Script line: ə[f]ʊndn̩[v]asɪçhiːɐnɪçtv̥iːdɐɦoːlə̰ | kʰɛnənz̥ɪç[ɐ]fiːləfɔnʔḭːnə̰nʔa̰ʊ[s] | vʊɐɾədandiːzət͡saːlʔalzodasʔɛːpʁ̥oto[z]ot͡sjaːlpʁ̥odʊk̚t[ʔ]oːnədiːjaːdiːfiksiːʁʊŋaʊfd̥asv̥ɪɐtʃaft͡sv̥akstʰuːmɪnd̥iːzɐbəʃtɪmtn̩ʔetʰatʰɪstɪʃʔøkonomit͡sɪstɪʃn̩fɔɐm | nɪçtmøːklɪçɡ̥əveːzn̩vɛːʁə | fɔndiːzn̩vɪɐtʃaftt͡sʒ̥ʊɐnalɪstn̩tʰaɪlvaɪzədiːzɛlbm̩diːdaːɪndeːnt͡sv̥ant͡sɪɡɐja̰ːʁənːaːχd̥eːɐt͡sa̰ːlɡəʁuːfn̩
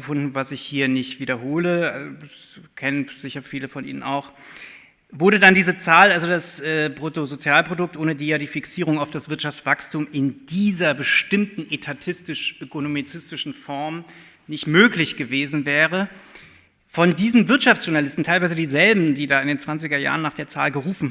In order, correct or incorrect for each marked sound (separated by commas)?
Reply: correct, correct, correct, incorrect, correct, correct